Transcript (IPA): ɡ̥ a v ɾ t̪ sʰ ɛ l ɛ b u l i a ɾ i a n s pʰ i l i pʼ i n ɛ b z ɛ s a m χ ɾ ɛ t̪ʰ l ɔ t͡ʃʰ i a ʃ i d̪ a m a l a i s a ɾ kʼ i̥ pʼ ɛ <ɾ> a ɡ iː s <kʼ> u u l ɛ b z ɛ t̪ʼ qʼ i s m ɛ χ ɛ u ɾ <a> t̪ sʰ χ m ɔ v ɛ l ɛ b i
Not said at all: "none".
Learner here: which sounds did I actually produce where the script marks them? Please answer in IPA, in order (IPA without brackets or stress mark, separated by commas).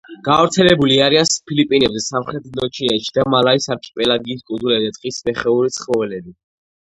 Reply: l, kʼ, i